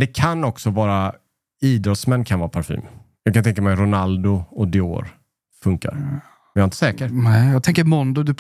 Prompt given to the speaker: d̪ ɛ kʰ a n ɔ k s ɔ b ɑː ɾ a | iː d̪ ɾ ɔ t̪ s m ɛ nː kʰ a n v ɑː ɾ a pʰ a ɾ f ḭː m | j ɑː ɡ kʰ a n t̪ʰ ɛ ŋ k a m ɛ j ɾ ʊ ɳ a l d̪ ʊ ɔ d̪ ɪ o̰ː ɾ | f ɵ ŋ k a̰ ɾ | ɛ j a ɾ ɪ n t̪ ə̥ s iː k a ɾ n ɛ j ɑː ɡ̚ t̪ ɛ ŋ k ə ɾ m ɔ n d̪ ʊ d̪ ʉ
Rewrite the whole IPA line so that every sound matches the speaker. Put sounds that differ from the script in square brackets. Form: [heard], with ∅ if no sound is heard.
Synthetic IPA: d̪ ɛ kʰ a n ɔ k s ɔ [v] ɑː ɾ a | iː d̪ ɾ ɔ t̪ s m ɛ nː kʰ a n v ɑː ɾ a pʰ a ɾ f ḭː m | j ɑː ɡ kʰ a n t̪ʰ ɛ ŋ k a m ɛ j ɾ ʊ [n] a l d̪ ʊ ɔ d̪ ɪ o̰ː ɾ | f ɵ ŋ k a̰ ɾ | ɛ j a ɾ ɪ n t̪ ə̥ s [ɛː] k [ə] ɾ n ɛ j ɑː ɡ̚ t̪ ɛ ŋ k ə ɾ m ɔ n d̪ ʊ d̪ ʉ